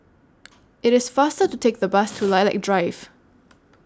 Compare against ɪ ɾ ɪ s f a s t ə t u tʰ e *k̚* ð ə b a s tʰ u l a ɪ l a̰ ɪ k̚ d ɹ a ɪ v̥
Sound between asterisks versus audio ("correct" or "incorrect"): correct